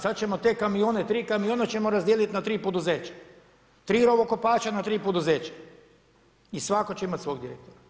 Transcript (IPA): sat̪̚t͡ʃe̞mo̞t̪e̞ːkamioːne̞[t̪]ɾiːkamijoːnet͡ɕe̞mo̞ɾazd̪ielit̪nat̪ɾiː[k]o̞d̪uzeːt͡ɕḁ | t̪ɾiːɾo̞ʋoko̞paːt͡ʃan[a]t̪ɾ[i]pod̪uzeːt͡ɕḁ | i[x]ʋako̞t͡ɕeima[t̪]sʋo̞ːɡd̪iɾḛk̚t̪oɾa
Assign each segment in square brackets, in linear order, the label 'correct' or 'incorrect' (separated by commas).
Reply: correct, incorrect, correct, incorrect, incorrect, correct